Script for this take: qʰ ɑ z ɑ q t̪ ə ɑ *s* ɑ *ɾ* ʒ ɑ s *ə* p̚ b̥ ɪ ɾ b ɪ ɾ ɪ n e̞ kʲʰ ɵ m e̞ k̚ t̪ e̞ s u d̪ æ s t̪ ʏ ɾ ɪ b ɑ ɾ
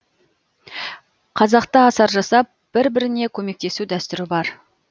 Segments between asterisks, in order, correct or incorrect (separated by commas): correct, correct, incorrect